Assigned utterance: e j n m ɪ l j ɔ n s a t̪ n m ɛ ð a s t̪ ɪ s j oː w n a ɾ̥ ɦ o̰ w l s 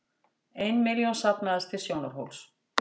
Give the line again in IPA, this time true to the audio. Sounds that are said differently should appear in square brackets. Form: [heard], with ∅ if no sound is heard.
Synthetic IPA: e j n m ɪ l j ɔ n s a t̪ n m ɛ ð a s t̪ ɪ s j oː w n a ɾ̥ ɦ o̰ w l s